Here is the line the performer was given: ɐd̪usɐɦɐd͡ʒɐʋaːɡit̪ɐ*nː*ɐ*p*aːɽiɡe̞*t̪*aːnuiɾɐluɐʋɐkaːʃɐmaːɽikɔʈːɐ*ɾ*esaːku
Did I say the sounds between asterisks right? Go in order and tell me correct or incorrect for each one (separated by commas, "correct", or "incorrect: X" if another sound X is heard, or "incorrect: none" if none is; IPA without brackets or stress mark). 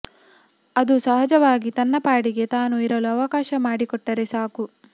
correct, correct, correct, correct